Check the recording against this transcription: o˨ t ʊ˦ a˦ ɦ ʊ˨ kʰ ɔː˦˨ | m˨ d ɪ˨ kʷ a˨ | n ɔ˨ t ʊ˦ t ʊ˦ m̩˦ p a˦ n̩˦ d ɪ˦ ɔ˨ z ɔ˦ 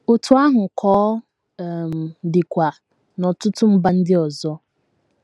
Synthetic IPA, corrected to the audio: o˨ t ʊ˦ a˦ ɦ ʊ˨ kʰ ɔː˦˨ | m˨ d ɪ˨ kʷ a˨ | n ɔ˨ t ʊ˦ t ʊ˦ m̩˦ b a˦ n̩˦ d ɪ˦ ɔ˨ z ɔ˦